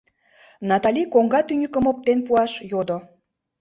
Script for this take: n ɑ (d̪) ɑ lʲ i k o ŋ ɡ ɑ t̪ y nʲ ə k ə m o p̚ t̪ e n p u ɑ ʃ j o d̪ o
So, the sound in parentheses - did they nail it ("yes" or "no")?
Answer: no